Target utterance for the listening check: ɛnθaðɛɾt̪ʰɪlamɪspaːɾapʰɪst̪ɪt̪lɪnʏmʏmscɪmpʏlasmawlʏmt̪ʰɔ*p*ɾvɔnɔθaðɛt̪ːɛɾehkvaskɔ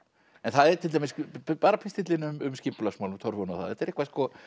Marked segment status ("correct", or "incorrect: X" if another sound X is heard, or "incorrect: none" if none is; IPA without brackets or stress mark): incorrect: none